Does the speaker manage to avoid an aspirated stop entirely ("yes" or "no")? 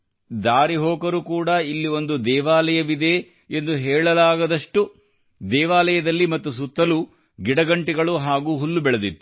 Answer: yes